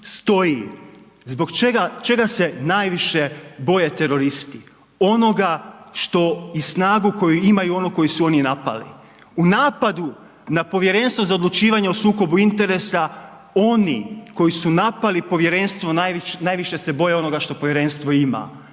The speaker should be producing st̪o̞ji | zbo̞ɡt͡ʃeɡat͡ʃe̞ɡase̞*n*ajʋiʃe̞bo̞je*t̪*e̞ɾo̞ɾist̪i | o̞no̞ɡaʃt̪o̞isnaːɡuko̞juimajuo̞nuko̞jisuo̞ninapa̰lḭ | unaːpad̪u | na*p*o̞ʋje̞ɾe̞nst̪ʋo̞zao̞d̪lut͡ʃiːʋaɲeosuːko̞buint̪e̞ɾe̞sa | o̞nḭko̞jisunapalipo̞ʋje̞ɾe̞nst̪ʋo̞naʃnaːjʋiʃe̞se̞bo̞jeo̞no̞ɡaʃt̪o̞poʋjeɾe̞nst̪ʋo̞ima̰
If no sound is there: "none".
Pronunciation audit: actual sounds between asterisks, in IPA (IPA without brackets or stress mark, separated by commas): n, t̪, p